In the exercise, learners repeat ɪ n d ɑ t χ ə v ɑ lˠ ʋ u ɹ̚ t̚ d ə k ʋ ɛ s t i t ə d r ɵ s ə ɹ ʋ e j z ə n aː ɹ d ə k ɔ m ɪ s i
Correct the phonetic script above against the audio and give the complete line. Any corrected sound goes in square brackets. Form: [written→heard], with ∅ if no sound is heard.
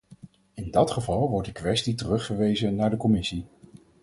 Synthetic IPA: ɪ n d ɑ t χ ə v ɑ lˠ ʋ [u→ɔ] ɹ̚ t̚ d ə k ʋ ɛ s t i t ə [d→∅] r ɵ [s→χ] ə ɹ ʋ e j z ə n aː ɹ d ə k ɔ m ɪ s i